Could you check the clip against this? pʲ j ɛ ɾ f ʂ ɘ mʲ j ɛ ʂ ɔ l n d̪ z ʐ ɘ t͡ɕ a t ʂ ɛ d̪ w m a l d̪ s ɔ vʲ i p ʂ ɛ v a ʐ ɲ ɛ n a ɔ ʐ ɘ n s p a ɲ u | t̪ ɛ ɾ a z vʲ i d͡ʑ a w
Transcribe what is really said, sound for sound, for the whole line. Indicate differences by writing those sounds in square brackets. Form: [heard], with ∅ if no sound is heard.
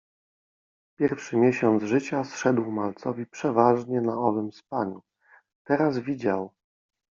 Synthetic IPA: pʲ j ɛ ɾ f ʂ ɘ mʲ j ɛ [ɕ] ɔ [∅] n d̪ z ʐ ɘ t͡ɕ a [s] ʂ ɛ d̪ w m a l [t̪] s ɔ vʲ i p ʂ ɛ v a ʐ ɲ ɛ n a ɔ [v] ɘ [m] s p a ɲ u | t̪ ɛ ɾ a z vʲ i d͡ʑ a w